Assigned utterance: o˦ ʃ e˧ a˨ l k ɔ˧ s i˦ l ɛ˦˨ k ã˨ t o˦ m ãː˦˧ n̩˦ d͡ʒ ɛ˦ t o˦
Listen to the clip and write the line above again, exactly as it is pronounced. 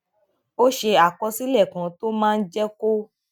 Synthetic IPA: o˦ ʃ e˧ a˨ k ɔ˧ s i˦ l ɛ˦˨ k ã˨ t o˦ m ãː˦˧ n̩˦ d͡ʒ ɛ˦ k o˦

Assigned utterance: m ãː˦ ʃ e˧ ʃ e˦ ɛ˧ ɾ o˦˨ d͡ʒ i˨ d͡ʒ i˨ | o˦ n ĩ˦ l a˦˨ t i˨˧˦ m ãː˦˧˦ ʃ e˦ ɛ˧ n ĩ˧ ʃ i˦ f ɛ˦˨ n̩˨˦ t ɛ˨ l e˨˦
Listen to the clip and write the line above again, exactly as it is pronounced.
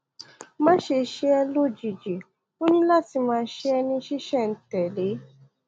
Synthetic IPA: m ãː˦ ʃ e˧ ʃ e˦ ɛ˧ l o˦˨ d͡ʒ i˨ d͡ʒ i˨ | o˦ n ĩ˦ l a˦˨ t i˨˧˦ m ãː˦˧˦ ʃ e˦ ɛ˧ n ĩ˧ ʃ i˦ ʃ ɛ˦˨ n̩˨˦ t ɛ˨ l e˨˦

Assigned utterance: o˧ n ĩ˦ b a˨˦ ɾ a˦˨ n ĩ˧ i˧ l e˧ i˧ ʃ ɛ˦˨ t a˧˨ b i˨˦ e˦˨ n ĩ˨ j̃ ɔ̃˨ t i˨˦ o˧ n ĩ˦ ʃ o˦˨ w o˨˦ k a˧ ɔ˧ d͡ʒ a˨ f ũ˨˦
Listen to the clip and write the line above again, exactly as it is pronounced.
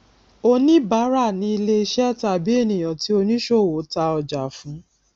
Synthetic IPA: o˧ n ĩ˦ b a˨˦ ɾ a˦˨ n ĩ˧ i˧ l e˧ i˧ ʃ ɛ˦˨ t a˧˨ b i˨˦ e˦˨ n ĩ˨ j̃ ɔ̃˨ t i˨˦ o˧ n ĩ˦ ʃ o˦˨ w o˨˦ t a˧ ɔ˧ d͡ʒ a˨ f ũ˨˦

